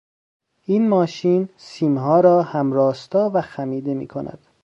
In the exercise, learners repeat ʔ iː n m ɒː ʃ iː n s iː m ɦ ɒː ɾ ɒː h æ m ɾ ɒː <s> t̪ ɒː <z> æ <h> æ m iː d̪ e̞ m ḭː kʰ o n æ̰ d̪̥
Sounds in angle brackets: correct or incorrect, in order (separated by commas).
correct, incorrect, incorrect